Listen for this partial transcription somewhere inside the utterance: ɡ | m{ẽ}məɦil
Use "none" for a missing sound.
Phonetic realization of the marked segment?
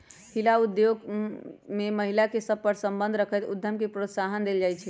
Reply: e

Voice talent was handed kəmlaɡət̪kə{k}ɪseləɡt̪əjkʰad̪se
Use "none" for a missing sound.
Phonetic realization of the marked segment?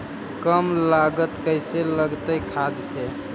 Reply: none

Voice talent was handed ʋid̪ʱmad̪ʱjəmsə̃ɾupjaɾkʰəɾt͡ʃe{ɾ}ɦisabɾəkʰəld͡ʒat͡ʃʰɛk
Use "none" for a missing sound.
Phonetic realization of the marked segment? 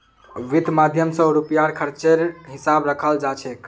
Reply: ɾ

